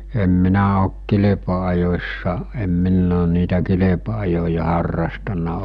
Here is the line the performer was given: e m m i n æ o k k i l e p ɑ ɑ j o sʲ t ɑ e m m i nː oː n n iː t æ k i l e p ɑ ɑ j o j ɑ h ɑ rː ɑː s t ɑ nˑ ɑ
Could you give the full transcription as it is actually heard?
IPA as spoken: e m m i n æ o k k i l e p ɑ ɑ j o sʲ s ɑ e m m i nː oː n n iː t æ k i l e p ɑ ɑ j o j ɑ h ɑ rː ɑ s t ɑ nˑ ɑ